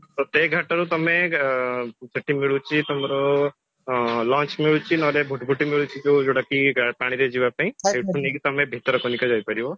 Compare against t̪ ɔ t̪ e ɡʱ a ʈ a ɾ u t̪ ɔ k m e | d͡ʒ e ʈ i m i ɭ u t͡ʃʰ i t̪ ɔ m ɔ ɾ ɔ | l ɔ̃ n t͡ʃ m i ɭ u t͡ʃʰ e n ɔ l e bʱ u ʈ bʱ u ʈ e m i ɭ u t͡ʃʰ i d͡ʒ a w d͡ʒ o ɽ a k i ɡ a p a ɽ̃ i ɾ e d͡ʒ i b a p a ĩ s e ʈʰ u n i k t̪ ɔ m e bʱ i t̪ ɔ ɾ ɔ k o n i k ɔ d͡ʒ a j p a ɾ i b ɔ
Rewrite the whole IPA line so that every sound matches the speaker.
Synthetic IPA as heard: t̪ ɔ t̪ e ɡʱ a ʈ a ɾ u t̪ ɔ m e | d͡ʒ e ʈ i m i ɭ u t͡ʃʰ i t̪ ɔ m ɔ ɾ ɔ | l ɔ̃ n t͡ʃ m i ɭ u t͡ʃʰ i n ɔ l e bʱ u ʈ bʱ u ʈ i m i ɭ u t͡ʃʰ i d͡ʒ e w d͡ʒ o ɽ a k i ɡ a p a ɽ̃ i ɾ e d͡ʒ i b a p a ĩ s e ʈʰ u n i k t̪ ɔ m e bʱ i t̪ ɔ ɾ ɔ k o n i k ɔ d͡ʒ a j p a ɾ i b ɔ